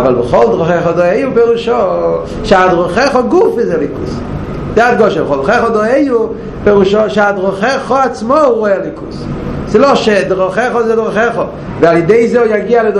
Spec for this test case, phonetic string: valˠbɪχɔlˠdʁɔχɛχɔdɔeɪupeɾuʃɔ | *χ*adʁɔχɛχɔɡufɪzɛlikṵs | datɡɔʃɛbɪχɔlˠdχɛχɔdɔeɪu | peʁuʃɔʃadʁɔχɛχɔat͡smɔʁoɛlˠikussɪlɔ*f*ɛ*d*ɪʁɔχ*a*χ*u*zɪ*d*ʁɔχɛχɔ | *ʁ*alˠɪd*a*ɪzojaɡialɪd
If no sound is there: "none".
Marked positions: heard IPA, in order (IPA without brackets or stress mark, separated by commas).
ʃ, ʃ, d, ɛ, ɔ, d, v, e